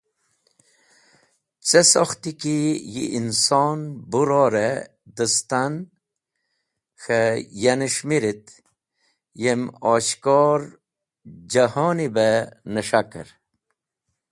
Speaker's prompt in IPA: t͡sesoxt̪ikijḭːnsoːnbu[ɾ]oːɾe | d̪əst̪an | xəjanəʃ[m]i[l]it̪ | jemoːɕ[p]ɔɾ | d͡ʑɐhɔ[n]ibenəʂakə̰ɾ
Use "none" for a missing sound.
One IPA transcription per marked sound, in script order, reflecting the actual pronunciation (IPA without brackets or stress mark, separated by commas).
ɾ, m, ɾ, k, n